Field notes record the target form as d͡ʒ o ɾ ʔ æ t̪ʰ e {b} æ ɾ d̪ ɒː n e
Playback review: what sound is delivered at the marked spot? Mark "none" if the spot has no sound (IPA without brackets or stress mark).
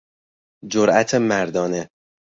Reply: m